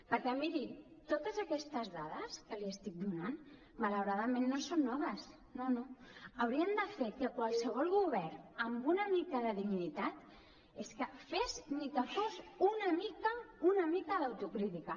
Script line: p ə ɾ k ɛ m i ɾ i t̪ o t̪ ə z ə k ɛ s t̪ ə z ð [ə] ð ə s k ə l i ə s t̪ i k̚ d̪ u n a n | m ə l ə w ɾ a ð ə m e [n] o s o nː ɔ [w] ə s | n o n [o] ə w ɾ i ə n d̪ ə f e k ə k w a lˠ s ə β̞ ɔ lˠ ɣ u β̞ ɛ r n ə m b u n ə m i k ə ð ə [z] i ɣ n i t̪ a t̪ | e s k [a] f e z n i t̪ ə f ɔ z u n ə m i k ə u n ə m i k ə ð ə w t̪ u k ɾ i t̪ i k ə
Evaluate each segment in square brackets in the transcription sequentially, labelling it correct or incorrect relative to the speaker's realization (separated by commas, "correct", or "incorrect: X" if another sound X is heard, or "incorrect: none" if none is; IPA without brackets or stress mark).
incorrect: a, incorrect: nː, incorrect: β, correct, incorrect: ð, incorrect: ə